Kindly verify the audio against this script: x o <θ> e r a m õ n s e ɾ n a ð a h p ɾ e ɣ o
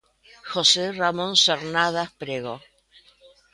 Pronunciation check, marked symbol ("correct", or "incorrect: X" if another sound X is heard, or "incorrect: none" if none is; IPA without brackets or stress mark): incorrect: s